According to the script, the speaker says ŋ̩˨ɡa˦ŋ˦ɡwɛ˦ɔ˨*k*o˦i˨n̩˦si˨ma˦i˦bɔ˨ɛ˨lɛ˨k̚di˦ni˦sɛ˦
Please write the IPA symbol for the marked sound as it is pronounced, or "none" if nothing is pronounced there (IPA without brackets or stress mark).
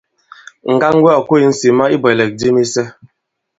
k